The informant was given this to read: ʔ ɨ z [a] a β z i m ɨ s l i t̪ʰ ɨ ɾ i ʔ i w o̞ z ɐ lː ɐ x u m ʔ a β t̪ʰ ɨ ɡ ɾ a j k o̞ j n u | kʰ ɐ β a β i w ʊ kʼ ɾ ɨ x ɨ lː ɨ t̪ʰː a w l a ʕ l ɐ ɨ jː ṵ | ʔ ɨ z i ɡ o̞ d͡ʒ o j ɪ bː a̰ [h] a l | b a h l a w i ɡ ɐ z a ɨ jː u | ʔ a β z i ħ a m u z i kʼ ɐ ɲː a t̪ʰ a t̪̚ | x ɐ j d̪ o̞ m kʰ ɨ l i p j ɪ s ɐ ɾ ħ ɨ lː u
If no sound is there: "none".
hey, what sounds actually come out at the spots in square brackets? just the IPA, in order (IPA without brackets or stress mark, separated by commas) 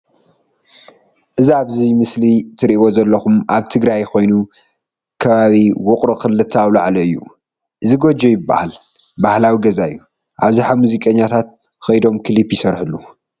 i, h